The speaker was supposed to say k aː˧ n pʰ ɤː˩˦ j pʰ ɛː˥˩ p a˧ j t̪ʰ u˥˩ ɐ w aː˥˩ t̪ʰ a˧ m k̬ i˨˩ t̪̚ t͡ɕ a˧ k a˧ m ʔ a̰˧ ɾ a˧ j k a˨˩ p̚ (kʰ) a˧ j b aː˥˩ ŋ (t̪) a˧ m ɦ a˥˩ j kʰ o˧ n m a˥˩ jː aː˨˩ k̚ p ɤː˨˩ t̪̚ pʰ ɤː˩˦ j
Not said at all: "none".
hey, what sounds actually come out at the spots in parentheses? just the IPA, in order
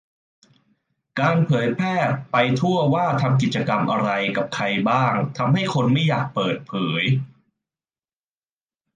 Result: kʰ, t̪ʰ

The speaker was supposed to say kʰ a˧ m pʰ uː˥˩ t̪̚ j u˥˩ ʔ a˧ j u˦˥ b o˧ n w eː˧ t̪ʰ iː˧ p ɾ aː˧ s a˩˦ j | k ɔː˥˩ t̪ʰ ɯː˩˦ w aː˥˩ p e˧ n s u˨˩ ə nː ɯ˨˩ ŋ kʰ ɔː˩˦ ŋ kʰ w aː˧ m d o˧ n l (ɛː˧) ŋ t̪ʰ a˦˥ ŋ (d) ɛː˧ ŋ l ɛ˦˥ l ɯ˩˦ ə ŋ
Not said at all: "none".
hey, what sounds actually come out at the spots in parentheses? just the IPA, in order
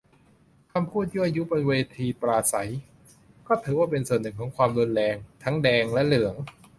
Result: ɛː˧, d

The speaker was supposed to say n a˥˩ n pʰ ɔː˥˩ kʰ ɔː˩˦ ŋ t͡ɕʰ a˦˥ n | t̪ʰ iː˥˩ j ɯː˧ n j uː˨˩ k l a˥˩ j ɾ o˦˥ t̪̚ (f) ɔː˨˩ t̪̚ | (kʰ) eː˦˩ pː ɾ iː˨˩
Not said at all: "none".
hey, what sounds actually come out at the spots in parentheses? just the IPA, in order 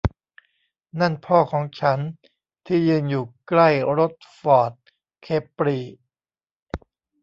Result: f, kʰ

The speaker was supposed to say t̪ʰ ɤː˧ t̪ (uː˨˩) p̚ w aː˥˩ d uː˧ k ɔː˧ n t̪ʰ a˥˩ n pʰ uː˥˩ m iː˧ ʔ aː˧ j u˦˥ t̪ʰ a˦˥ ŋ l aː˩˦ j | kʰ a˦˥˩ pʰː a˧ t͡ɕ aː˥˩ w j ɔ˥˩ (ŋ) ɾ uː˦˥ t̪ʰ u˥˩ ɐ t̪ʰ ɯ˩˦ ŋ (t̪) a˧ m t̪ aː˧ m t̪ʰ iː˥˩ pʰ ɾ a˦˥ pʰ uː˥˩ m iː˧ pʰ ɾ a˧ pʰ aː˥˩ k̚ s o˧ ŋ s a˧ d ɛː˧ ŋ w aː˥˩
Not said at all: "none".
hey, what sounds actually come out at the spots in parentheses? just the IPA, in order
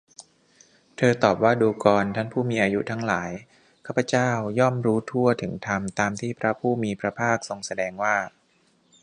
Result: ɔː˨˩, m, t̪ʰ

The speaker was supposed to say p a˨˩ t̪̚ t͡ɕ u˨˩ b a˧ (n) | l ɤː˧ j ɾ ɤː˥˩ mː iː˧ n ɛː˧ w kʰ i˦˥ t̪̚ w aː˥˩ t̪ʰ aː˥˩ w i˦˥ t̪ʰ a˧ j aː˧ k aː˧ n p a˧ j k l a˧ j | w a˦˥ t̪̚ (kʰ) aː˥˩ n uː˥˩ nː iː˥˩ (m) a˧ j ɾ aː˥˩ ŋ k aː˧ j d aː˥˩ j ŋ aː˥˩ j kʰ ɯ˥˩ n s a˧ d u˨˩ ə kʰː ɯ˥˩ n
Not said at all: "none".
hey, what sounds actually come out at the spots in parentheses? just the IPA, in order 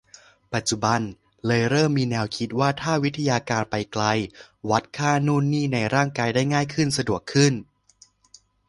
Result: n, kʰ, n

